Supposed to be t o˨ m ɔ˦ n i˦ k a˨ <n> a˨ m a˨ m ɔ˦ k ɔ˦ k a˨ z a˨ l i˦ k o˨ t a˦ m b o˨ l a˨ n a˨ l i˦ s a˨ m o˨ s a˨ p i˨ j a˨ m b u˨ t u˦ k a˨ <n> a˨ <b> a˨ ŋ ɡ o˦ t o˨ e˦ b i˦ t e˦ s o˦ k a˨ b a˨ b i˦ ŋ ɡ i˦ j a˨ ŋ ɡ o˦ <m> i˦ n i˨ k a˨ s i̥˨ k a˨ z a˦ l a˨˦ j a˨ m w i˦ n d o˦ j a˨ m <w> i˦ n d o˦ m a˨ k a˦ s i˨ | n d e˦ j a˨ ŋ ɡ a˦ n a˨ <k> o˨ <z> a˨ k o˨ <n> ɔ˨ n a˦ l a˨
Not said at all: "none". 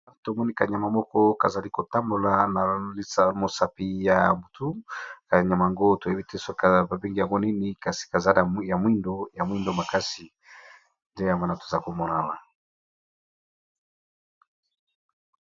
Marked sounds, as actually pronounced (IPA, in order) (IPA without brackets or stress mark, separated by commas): ɲ, ɲ, m, n, w, t, z, m